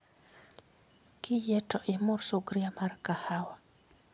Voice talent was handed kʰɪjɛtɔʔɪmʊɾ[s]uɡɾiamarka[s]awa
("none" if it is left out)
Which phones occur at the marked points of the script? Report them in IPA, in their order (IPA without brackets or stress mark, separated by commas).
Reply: s, h